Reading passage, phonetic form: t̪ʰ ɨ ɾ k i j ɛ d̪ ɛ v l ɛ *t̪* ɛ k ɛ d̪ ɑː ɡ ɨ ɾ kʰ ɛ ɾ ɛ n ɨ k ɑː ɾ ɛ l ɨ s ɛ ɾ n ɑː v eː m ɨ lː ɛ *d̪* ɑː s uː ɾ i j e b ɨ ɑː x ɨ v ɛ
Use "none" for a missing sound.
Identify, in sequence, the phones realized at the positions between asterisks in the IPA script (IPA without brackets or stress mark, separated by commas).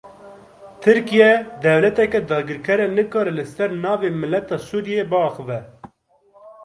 t̪, t̪